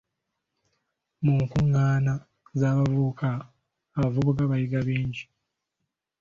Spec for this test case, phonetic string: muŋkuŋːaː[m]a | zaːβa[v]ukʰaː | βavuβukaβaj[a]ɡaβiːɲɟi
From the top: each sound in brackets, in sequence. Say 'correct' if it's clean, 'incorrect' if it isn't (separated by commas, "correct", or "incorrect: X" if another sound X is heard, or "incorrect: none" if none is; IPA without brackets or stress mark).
incorrect: n, correct, incorrect: i